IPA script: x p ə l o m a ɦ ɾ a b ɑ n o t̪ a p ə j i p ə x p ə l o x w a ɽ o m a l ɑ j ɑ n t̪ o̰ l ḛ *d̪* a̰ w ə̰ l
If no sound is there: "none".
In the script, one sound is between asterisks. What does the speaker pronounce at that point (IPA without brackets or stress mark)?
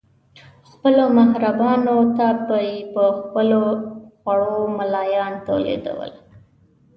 d̪